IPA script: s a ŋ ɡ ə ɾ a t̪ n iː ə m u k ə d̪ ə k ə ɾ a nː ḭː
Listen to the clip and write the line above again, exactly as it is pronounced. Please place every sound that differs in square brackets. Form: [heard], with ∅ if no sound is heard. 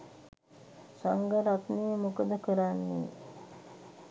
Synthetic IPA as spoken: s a ŋ ɡ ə ɾ a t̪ n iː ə m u k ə d̪ ə k ə ɾ a nː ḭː